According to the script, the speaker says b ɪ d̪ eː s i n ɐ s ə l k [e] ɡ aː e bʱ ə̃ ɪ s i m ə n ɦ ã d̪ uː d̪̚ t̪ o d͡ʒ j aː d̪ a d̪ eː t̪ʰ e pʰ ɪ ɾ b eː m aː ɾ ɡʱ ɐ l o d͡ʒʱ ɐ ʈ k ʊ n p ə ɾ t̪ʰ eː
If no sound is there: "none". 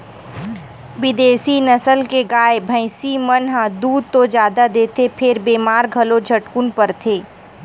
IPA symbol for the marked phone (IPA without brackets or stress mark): e